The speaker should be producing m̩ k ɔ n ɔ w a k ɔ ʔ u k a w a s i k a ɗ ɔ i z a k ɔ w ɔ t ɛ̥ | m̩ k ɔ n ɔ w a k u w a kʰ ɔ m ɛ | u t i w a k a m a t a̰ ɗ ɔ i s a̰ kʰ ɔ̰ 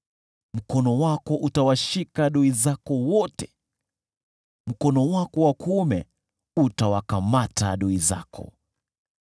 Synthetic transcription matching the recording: m̩ k ɔ n ɔ w a k ɔ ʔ u t a w a ʃ i k a ɗ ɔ i z a k ɔ w ɔ t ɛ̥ | m̩ k ɔ n ɔ w a k ɔ w a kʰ u m ɛ | u t a w a k a m a t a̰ ɗ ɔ i z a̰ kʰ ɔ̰

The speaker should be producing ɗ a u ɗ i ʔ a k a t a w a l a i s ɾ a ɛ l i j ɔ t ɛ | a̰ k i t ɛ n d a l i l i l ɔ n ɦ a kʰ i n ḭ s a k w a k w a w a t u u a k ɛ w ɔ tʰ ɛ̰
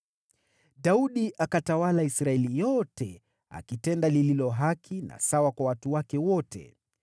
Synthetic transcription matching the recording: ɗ a u ɗ i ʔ a k a t a w a l a i s ɾ a ɛ l i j ɔ t ɛ | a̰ k i t ɛ n d a l i l i l ɔ ɦ a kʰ i n a̰ s a w a k w a w a t u w a k ɛ w ɔ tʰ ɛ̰

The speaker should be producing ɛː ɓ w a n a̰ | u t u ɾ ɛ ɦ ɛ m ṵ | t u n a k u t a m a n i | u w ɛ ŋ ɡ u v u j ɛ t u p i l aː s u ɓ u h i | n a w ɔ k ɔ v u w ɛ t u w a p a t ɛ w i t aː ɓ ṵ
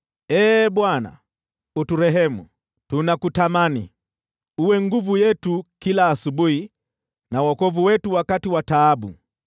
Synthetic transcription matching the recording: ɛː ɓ w a n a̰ | u t u ɾ ɛ ɦ ɛ m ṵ | t u n a k u t a m a n i | u w ɛ ŋ ɡ u v u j ɛ t u k i l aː s u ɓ u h i | n a w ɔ k ɔ v u w ɛ t u w a k a t i w a t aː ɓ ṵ

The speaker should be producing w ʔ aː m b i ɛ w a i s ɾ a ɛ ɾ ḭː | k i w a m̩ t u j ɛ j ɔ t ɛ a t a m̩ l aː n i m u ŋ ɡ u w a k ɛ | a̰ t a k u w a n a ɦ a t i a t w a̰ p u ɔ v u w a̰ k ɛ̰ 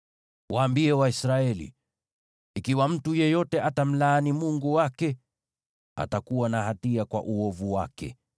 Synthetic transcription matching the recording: w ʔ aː m b i ɛ w a i s ɾ a ɛ l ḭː | k i w a m̩ t u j ɛ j ɔ t ɛ a t a m̩ l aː n i m u ŋ ɡ u w a k ɛ | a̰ t a k u w a n a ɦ a t i a k w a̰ ʔ u ɔ v u w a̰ k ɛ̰

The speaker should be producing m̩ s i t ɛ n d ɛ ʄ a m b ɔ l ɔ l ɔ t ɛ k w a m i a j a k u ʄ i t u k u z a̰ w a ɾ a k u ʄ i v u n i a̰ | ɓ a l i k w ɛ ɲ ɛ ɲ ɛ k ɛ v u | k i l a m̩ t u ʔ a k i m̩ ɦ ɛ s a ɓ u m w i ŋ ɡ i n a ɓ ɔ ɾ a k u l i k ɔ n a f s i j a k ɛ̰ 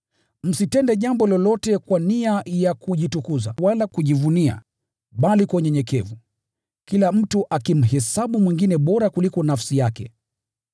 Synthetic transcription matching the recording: m̩ s i t ɛ n d ɛ ʄ a m b ɔ l ɔ l ɔ t ɛ k w a n i a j a k u ʄ i t u k u z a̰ w a l a k u ʄ i v u n i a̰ | ɓ a l i k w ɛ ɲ ɛ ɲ ɛ k ɛ v u | k i l a m̩ t u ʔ a k i m̩ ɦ ɛ s a ɓ u m w i ŋ ɡ i n ɛ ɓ ɔ ɾ a k u l i k ɔ n a f s i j a k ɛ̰

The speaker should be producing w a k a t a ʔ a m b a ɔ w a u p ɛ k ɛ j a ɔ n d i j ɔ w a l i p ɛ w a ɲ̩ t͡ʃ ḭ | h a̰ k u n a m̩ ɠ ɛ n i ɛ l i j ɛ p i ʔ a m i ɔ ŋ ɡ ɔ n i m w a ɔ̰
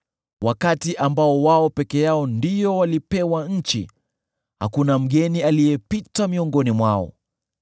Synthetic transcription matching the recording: w a k a t i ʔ a m b a ɔ w a ɔ p ɛ k ɛ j a ɔ n d i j ɔ w a l i p ɛ w a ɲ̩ t͡ʃ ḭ | h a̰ k u n a m̩ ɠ ɛ n i a l i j ɛ p i t a m i ɔ ŋ ɡ ɔ n i m w a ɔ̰

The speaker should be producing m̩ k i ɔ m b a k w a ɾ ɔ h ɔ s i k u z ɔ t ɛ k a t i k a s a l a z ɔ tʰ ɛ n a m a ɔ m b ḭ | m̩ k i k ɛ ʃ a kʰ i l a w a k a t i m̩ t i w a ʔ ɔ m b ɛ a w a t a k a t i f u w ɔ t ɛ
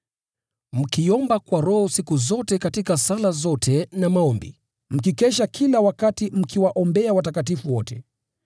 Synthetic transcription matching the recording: m̩ k i ɔ m b a k w a ɾ ɔ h ɔ s i k u z ɔ t ɛ k a t i k a s a l a z ɔ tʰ ɛ n a m a ɔ m b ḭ | m̩ k i k ɛ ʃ a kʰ i l a w a k a t i m̩ k i w a ʔ ɔ m b ɛ a w a t a k a t i f u w ɔ t ɛ

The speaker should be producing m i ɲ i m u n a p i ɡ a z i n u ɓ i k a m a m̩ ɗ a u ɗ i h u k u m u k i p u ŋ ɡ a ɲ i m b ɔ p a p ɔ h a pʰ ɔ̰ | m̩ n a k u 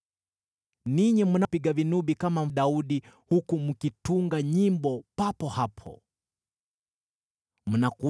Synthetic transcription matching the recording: n i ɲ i m u n a p i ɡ a v i n u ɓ i k a m a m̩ ɗ a u ɗ i h u k u m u k i t u ŋ ɡ a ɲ i m b ɔ p a p ɔ h a pʰ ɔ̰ | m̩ n a k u

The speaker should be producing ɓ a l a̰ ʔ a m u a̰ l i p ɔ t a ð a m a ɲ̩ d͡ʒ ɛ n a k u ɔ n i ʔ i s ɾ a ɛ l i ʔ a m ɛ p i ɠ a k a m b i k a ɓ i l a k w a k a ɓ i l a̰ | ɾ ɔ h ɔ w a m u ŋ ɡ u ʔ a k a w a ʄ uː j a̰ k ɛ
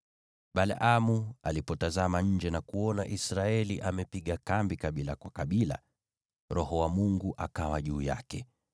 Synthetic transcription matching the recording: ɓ a l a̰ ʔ a m u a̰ l i p ɔ t a z a m a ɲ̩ d͡ʒ ɛ n a k u ɔ n a ʔ i s ɾ a ɛ l i ʔ a m ɛ p i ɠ a k a m b i k a ɓ i l a k w a k a ɓ i l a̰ | ɾ ɔ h ɔ w a m u ŋ ɡ u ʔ a k a w a ʄ uː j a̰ k ɛ

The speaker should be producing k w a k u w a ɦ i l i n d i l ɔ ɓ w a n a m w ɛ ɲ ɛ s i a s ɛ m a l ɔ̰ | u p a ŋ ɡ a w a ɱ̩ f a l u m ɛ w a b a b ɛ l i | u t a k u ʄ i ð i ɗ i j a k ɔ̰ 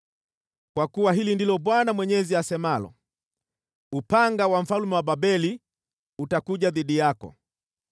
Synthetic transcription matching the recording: k w a k u w a ɦ i l i n d i l ɔ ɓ w a n a m w ɛ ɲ ɛ z i a s ɛ m a l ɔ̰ | u p a ŋ ɡ a w a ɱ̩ f a l u m ɛ w a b a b ɛ l i | u t a k u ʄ a ð i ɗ i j a k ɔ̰

